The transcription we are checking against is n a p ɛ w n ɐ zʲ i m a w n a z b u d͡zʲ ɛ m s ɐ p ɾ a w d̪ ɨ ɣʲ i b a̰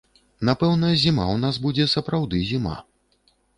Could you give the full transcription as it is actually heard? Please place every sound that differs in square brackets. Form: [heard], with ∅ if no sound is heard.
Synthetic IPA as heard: n a p ɛ w n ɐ zʲ i m a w n a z b u d͡zʲ ɛ [∅] s ɐ p ɾ a w d̪ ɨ [zʲ] i [m] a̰